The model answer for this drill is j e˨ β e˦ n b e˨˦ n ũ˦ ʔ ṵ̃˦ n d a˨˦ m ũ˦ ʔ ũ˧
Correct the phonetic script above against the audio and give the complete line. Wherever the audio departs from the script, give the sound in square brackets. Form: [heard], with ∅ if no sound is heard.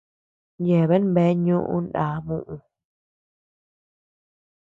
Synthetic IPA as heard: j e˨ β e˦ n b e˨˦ [ɲ] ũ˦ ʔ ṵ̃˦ n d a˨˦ m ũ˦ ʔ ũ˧